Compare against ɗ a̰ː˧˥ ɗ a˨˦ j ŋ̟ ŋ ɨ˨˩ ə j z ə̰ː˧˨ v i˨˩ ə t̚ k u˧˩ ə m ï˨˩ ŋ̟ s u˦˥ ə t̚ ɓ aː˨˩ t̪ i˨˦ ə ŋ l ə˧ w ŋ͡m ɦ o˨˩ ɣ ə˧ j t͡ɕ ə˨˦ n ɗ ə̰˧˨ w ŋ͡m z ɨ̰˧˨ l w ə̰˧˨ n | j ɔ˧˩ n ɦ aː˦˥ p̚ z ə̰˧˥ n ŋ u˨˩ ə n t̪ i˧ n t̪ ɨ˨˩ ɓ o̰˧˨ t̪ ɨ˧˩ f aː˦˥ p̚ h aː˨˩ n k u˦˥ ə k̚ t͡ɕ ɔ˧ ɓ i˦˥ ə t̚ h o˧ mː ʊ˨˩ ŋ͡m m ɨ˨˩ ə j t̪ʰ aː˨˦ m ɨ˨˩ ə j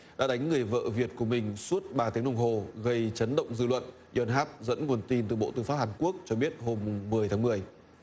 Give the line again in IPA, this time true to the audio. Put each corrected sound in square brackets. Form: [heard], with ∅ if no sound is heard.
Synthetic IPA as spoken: ɗ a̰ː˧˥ ɗ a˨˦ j ŋ̟ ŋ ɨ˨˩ ə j [v] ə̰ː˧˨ v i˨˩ ə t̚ k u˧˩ ə m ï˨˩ ŋ̟ s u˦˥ ə t̚ ɓ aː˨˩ t̪ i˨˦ ə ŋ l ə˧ w ŋ͡m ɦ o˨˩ ɣ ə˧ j t͡ɕ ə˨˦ n ɗ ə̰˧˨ w ŋ͡m z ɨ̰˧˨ l w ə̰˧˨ n | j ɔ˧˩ n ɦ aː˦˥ p̚ z ə̰˧˥ n ŋ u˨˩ ə n t̪ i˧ n t̪ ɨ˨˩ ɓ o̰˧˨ t̪ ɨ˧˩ f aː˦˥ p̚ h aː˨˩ n k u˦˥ ə k̚ t͡ɕ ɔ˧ ɓ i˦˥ ə t̚ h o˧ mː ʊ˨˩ ŋ͡m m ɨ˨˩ ə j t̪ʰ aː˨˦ m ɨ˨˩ ə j